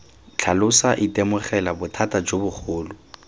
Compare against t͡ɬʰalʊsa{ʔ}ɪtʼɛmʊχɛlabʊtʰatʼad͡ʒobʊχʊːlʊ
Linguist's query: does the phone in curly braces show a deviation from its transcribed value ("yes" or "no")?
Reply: no